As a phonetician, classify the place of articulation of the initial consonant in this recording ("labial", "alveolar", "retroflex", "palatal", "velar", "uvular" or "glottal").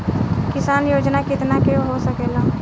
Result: velar